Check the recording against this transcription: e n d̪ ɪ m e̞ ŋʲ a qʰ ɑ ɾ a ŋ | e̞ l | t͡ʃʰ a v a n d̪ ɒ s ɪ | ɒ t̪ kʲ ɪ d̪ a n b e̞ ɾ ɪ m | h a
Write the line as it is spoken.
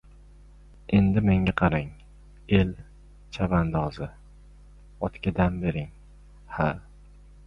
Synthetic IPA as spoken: e n d̪ ɪ m e̞ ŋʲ a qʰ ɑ ɾ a ŋ | e̞ l | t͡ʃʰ a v a n d̪ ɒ z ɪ | ɒ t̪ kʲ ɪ d̪ a n b e̞ ɾ ɪ ŋ | h a